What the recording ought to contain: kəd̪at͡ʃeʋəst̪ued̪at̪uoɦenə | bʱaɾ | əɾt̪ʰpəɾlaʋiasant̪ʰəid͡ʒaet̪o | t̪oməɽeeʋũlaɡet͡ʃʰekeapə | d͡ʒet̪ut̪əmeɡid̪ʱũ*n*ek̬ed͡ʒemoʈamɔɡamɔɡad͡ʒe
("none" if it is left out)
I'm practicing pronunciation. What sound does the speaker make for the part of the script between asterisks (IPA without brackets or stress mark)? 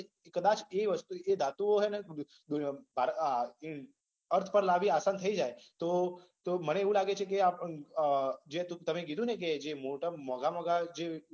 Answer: n